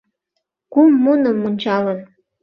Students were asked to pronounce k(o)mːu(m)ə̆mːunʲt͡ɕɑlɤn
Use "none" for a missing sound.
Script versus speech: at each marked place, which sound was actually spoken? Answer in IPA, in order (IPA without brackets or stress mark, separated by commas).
u, n